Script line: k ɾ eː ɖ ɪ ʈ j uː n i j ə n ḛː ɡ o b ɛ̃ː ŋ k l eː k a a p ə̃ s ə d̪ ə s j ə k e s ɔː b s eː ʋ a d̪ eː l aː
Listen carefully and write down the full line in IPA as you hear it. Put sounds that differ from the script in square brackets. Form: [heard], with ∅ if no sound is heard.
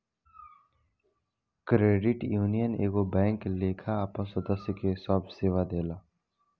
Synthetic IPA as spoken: k ɾ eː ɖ ɪ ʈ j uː n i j ə n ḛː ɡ o b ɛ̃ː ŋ k l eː [kʰ] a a p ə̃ s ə d̪ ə s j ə k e s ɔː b s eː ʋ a d̪ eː l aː